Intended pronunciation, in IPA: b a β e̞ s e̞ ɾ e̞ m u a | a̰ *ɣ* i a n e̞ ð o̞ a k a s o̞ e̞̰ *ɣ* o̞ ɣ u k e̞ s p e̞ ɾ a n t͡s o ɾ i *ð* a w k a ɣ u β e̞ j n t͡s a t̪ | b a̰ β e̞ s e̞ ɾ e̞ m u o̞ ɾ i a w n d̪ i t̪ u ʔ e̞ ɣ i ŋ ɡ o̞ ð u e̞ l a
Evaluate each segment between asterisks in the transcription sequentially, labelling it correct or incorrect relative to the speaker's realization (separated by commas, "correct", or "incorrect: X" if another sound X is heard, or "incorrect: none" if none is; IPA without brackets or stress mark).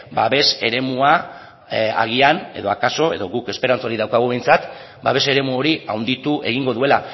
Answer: correct, incorrect: ð, correct